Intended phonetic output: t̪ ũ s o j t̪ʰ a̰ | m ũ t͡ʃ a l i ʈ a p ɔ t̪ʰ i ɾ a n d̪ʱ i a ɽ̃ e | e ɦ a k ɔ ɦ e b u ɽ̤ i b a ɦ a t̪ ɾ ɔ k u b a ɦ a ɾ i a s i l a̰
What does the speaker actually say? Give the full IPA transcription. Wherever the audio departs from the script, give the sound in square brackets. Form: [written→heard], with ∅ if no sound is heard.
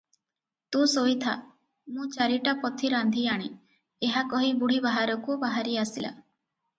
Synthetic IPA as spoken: t̪ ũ s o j t̪ʰ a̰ | m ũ t͡ʃ a [l→ɾ] i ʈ a p ɔ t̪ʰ i ɾ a n d̪ʱ i a ɽ̃ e | e ɦ a k ɔ ɦ [e→i] b u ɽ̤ i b a ɦ a [t̪→∅] ɾ ɔ k u b a ɦ a ɾ i a s i l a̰

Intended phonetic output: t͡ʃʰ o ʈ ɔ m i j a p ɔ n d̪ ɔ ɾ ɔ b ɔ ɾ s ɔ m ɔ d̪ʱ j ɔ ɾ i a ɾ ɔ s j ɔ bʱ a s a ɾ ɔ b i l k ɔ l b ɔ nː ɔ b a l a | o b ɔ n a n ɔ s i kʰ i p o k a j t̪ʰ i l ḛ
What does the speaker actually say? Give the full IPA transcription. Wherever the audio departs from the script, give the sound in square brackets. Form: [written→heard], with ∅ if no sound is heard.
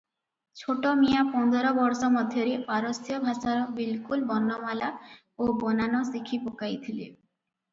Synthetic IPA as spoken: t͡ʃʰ o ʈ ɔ m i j a p ɔ n d̪ ɔ ɾ ɔ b ɔ ɾ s ɔ m ɔ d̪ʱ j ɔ ɾ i a ɾ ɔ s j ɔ bʱ a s a ɾ ɔ b i l k [ɔ→u] l b ɔ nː ɔ [b→m] a l a | o b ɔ n a n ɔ s i kʰ i p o k a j t̪ʰ i l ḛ

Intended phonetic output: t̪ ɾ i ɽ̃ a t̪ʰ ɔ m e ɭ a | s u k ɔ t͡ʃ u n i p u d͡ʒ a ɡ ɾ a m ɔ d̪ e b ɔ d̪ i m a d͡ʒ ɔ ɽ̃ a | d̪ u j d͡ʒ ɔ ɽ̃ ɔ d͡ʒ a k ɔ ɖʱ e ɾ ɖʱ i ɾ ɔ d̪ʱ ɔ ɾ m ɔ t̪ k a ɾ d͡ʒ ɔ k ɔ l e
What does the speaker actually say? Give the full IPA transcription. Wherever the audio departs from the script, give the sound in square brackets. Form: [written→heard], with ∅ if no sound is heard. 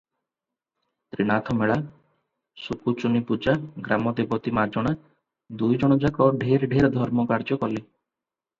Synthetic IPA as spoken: t̪ ɾ i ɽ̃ a t̪ʰ ɔ m e ɭ a | s u k [ɔ→u] t͡ʃ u n i p u d͡ʒ a ɡ ɾ a m ɔ d̪ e b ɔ [d̪→t̪] i m a d͡ʒ ɔ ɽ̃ a | d̪ u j d͡ʒ ɔ ɽ̃ ɔ d͡ʒ a k ɔ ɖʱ e ɾ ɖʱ [i→e] ɾ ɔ d̪ʱ ɔ ɾ m ɔ [t̪→∅] k a ɾ d͡ʒ ɔ k ɔ l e

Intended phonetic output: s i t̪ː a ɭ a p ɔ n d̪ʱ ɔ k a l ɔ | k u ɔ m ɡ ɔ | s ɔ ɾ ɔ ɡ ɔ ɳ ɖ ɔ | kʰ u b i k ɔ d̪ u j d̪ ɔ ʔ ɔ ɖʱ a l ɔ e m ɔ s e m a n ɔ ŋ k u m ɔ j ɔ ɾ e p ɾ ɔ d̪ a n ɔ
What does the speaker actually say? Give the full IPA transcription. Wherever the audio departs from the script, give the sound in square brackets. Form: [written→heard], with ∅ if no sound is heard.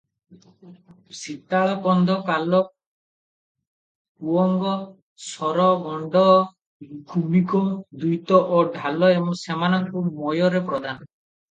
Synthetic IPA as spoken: s i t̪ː a ɭ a p ɔ n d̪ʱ ɔ k a l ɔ | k u ɔ [m→ŋ] ɡ ɔ | s ɔ ɾ ɔ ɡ ɔ ɳ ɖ ɔ | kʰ u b i k ɔ d̪ u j [d̪→t̪] ɔ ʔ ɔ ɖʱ a l ɔ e m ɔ s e m a n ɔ ŋ k u m ɔ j ɔ ɾ e p ɾ ɔ d̪ a n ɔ

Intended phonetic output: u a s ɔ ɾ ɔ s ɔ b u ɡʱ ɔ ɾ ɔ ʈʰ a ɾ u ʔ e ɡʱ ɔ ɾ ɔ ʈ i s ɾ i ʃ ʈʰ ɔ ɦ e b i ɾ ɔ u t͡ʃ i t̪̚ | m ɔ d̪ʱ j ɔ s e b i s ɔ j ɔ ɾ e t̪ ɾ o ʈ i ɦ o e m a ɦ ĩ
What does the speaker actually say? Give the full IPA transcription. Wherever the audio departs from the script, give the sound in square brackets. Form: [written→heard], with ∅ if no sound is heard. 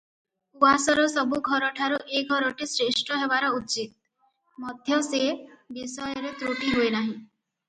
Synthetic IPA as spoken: u a s ɔ ɾ ɔ s ɔ b u ɡʱ ɔ ɾ ɔ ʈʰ a ɾ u ʔ e ɡʱ ɔ ɾ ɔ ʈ i s ɾ [i→e] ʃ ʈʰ ɔ ɦ e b [i→a] ɾ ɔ u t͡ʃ i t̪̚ | m ɔ d̪ʱ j ɔ s e b i s ɔ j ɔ ɾ e t̪ ɾ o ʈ i ɦ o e [m→n] a ɦ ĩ

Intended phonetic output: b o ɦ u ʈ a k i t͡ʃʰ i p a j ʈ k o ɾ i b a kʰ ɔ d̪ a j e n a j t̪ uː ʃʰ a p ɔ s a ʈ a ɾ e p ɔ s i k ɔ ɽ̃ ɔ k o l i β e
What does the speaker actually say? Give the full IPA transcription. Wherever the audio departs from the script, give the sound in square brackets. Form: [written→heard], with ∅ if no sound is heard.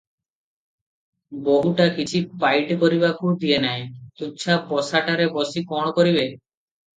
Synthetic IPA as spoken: b o ɦ u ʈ a k i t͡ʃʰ i p a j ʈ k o ɾ i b a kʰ [ɔ→u] d̪ [a→i] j e n a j t̪ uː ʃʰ a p ɔ s a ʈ a ɾ e [p→b] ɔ s i k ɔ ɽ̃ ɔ k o [l→ɾ] i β e

